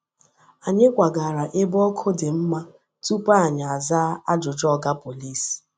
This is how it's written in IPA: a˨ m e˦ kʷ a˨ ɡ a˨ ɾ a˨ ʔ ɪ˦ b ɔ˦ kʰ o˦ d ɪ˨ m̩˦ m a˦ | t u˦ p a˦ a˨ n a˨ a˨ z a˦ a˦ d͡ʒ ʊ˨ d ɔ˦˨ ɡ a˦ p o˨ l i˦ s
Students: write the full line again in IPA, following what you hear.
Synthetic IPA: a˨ ɲ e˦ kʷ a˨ ɡ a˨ ɾ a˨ ʔ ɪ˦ b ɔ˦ kʰ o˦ d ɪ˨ m̩˦ m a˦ | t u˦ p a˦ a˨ ɲ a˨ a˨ z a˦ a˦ d͡ʒ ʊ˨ d͡ʒ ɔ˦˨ ɡ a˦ p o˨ l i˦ s